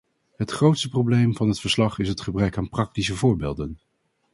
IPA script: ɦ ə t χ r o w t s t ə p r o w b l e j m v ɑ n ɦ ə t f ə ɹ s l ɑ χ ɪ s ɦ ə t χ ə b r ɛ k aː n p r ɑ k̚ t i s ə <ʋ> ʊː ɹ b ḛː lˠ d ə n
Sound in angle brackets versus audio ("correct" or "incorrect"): incorrect